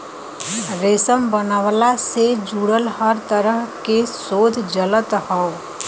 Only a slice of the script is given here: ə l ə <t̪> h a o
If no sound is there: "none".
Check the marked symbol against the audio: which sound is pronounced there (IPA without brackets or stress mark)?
t̪